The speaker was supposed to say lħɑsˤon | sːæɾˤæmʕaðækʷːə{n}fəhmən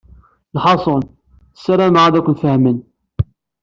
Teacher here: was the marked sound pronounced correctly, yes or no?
yes